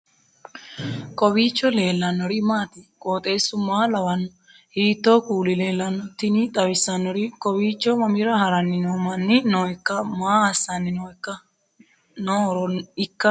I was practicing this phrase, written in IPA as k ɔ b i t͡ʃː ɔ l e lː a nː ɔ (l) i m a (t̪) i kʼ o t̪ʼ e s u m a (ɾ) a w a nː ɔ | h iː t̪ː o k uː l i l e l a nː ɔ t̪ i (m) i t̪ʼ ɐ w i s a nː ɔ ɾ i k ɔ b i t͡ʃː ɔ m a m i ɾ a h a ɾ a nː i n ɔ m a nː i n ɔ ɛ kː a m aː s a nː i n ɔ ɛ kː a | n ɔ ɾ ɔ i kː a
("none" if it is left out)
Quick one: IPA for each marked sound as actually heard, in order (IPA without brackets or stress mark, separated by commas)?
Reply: ɾ, t̪, l, n